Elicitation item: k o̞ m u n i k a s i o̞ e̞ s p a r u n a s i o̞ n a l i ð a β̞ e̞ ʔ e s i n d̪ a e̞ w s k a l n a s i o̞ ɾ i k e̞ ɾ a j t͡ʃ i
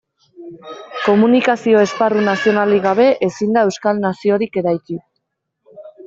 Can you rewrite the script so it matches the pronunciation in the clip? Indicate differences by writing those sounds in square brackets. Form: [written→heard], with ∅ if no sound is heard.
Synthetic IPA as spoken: k o̞ m u n i k a s i o̞ e̞ s p a r u n a s i o̞ n a l i [ð→ɣ] a β̞ e̞ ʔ e s i n d̪ a e̞ w s k a l n a s i o̞ ɾ i k e̞ ɾ a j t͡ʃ i